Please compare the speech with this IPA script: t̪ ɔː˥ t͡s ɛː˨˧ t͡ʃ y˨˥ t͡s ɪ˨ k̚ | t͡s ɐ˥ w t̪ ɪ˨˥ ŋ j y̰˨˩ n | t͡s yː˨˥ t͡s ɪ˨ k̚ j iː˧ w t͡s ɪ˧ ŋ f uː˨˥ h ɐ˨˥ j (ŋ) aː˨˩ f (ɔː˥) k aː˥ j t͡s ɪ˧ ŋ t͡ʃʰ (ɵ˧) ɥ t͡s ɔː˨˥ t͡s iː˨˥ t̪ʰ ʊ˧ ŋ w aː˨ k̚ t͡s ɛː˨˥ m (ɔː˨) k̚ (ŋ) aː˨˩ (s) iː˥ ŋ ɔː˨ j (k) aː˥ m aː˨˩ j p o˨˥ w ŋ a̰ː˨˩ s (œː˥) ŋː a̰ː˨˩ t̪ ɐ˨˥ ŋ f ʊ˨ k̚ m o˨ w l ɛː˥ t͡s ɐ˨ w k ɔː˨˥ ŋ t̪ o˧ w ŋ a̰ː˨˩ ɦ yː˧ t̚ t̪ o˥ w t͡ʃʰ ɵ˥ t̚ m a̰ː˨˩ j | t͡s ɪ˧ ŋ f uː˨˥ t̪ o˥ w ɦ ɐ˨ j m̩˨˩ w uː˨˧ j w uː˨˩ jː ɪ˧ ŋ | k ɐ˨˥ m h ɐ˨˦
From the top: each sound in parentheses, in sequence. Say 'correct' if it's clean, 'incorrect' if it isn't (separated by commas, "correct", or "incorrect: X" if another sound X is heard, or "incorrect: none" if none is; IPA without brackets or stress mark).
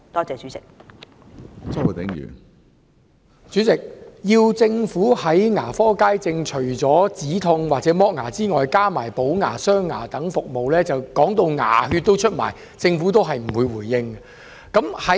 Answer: correct, correct, incorrect: ɵ˨˩, incorrect: ɔː˥, correct, incorrect: t͡s, correct, correct